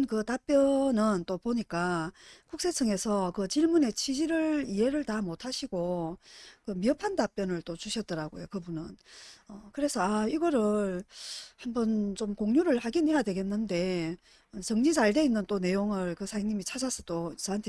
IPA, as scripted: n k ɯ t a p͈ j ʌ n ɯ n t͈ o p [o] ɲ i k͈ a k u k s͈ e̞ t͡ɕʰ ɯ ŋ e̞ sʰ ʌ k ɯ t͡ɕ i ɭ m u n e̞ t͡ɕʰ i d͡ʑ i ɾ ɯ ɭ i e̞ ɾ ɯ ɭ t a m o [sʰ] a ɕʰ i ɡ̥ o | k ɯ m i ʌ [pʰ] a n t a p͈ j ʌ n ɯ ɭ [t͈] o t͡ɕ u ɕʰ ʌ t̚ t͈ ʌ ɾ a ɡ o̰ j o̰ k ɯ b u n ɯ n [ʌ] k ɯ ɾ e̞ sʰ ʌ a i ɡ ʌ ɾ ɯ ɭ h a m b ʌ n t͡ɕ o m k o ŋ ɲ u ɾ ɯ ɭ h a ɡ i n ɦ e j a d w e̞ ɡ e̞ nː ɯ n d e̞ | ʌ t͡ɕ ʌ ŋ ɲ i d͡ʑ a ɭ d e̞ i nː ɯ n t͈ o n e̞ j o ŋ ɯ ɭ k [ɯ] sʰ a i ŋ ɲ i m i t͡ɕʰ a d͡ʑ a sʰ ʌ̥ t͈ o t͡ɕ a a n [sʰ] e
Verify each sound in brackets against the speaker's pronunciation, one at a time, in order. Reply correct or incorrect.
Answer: correct, incorrect: tʰ, correct, correct, correct, correct, incorrect: tʰ

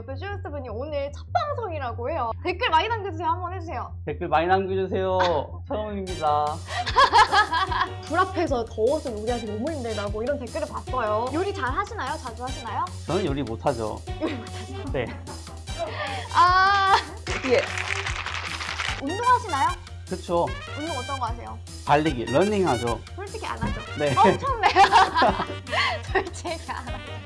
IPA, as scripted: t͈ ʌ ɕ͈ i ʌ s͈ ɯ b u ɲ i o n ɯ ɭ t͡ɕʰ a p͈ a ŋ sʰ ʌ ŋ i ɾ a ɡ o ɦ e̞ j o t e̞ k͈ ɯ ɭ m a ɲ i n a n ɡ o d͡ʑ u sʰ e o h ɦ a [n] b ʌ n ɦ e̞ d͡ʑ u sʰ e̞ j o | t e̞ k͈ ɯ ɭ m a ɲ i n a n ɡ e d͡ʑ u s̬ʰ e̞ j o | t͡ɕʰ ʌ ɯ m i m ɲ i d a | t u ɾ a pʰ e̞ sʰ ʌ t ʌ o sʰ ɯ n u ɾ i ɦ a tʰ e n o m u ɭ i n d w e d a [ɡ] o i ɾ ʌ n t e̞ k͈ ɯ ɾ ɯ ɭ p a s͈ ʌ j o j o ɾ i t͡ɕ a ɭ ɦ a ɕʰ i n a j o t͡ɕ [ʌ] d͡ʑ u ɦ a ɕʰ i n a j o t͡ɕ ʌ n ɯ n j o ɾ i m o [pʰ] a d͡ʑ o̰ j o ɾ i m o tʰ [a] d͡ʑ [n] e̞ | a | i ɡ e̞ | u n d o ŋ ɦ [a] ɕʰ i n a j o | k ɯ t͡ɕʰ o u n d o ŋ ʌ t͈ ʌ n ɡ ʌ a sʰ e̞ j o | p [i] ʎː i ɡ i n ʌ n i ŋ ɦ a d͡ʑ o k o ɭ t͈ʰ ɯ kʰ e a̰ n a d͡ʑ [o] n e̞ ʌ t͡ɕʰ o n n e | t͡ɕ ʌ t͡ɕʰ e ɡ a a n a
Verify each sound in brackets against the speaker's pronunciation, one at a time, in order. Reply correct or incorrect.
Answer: incorrect: m, correct, incorrect: a, incorrect: tʰ, correct, correct, correct, incorrect: a, correct

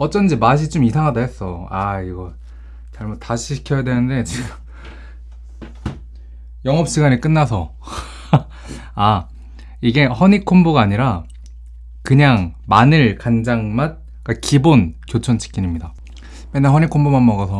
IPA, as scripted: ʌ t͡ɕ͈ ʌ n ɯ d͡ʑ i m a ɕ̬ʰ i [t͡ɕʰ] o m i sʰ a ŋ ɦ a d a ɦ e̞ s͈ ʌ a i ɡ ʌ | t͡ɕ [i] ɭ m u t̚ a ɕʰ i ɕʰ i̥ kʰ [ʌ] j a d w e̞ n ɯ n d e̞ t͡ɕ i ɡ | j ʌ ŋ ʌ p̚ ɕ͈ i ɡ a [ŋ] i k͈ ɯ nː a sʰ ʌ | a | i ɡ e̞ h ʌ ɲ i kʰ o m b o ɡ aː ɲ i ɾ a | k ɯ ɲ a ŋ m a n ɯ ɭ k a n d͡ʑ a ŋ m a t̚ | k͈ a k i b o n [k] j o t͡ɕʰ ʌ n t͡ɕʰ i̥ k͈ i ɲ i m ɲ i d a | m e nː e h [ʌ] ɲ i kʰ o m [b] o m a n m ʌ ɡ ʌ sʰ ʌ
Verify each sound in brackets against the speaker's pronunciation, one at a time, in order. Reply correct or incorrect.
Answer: incorrect: t͡ɕ, incorrect: a, correct, incorrect: ɲ, correct, correct, correct

